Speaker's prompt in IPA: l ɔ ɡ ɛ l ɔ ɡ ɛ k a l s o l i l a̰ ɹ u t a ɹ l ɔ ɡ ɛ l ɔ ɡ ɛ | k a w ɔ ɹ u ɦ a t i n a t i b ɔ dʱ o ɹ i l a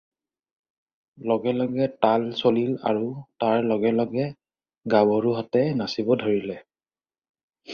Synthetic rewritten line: l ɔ ɡ ɛ l ɔ ɡ ɛ t a l s o l i l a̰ ɹ u t a ɹ l ɔ ɡ ɛ l ɔ ɡ ɛ | ɡ a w ɔ ɹ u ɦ a t ɛ n a s i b ɔ dʱ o ɹ i l ɛ